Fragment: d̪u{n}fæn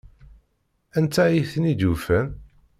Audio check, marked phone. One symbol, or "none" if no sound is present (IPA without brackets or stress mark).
none